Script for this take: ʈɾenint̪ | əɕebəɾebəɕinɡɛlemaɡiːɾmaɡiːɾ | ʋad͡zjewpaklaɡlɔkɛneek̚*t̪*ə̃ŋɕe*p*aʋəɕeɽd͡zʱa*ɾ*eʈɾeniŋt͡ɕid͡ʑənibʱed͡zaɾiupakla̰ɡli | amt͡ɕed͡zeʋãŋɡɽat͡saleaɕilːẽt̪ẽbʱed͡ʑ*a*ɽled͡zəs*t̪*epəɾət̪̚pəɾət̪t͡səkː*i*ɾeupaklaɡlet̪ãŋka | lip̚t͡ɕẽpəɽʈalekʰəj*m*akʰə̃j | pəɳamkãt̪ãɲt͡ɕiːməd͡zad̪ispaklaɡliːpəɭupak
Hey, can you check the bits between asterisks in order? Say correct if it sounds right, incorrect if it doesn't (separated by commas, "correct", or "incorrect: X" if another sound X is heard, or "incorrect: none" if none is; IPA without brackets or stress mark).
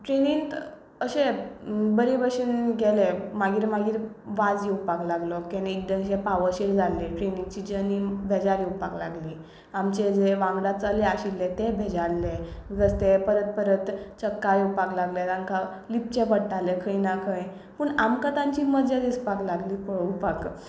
incorrect: d̪, correct, incorrect: l, correct, correct, incorrect: a, incorrect: n